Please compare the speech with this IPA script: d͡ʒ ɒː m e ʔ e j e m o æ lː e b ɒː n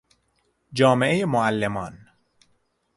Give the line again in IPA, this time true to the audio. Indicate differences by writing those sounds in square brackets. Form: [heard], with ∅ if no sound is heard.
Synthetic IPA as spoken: d͡ʒ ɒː m e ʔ e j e m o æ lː e [m] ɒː n